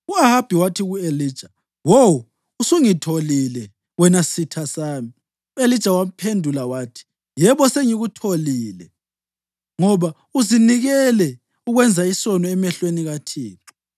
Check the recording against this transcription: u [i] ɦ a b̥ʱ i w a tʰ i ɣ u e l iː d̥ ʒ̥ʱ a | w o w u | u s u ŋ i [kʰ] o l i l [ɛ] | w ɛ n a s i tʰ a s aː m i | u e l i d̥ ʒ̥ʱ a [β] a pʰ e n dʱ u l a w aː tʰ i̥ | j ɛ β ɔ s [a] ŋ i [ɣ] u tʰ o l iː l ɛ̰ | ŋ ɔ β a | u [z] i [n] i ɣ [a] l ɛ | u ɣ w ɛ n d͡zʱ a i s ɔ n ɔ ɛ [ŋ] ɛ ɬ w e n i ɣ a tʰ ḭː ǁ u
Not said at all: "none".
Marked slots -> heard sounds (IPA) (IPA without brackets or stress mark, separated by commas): a, tʰ, ɛ, w, e, ɣ, z, n, ɛ, m